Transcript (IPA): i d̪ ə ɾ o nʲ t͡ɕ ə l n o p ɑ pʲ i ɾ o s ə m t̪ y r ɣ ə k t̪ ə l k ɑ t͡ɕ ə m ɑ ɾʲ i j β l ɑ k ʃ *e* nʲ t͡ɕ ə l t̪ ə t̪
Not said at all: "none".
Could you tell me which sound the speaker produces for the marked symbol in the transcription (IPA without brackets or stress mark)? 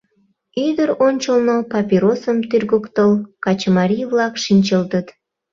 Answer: i